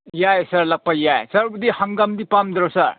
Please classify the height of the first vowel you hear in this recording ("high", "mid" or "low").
low